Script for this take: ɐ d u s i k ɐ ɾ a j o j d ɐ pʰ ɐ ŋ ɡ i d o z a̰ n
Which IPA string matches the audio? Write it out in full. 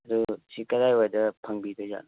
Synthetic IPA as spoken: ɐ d u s i k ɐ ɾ a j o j d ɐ pʰ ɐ ŋ b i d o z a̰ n